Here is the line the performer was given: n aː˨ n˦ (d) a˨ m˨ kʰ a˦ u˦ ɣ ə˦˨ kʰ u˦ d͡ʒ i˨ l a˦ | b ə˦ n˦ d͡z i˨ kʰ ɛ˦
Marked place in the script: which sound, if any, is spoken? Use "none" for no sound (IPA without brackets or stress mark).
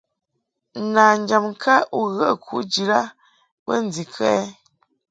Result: d͡ʒ